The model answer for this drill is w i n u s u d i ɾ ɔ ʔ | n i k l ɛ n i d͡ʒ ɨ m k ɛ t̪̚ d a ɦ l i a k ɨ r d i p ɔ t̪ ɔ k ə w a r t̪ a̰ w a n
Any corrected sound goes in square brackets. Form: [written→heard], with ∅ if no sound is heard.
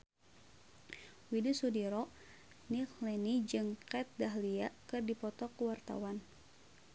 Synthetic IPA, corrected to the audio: w i [n→d] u s u d i ɾ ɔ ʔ | n i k l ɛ n i d͡ʒ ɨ [m→ŋ] k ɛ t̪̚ d a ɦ l i a k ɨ r d i p ɔ t̪ ɔ k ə w a r t̪ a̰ w a n